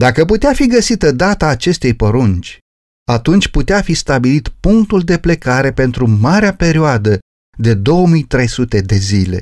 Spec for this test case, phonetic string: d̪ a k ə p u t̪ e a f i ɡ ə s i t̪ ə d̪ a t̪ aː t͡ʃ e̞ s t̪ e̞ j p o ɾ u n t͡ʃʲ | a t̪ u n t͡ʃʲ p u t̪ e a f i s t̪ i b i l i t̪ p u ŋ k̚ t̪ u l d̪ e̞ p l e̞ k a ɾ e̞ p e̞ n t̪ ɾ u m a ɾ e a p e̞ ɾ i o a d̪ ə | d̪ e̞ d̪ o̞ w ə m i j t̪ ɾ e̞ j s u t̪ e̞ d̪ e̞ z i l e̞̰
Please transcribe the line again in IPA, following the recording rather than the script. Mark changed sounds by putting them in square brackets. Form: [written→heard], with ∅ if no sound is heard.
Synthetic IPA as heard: d̪ a k ə p u t̪ e a f i ɡ ə s i t̪ ə d̪ a t̪ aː t͡ʃ e̞ s t̪ e̞ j p o ɾ u n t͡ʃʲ | a t̪ u n t͡ʃʲ p u t̪ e a f i s t̪ [i→a] b i l i t̪ p u ŋ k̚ t̪ u l d̪ e̞ p l e̞ k a ɾ e̞ p e̞ n t̪ ɾ u m a ɾ e a p e̞ ɾ i o a d̪ ə | d̪ e̞ d̪ o̞ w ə m i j t̪ ɾ e̞ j s u t̪ e̞ d̪ e̞ z i l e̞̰